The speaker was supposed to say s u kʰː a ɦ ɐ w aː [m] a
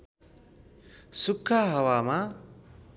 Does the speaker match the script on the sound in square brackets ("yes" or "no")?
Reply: yes